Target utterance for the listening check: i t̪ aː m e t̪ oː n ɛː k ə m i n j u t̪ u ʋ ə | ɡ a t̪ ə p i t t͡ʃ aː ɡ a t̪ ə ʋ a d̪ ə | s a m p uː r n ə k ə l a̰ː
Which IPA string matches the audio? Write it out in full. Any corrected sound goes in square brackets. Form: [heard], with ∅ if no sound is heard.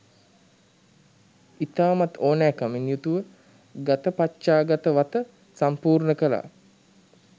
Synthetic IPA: i t̪ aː m [a] t̪ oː n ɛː k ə m i n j u t̪ u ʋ ə | ɡ a t̪ ə p [a] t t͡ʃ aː ɡ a t̪ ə ʋ a [t̪] ə | s a m p uː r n ə k ə l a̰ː